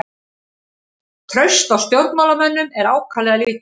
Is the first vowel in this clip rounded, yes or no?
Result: yes